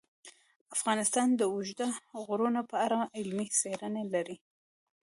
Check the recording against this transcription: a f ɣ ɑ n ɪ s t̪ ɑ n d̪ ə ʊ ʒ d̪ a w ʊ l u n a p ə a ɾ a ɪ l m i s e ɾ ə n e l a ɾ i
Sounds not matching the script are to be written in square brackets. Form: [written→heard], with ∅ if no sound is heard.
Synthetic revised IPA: a f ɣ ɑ n ɪ s t̪ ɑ n d̪ ə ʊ ʒ d̪ a [w→ɣ] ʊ [l→ɾ] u n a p ə a ɾ a ɪ l m i s e ɾ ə n e l a ɾ i